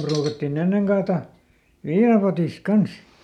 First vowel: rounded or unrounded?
rounded